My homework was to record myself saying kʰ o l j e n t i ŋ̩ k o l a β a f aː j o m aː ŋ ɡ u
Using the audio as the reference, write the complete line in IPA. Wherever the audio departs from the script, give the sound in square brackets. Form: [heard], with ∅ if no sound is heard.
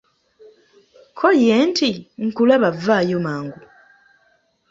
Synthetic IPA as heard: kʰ o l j e n t i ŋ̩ k [u] l a β a [v] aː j o m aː ŋ ɡ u